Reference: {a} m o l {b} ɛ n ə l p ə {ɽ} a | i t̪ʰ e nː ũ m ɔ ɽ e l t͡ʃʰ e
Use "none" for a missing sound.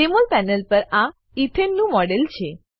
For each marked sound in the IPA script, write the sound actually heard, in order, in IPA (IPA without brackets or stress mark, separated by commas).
e, p, ɾ